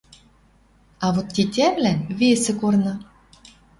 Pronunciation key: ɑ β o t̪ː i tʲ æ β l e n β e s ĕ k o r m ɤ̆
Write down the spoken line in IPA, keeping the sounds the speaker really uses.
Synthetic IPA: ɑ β o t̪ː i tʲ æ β l æ n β e s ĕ k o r n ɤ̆